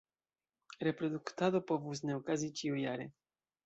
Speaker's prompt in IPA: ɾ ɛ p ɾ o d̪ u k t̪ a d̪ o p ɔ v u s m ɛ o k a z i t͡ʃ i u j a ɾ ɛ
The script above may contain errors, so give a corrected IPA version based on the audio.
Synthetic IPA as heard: ɾ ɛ p ɾ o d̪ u k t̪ a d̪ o p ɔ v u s n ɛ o k a z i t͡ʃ i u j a ɾ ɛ